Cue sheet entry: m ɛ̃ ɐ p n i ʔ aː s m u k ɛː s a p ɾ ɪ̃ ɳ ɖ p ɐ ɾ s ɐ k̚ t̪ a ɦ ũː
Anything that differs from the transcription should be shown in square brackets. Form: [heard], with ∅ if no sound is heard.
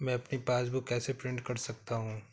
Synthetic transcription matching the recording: m ɛ̃ ɐ p n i [p] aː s [b] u k ɛː s [e] p ɾ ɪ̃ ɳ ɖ [k] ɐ ɾ s ɐ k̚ t̪ a ɦ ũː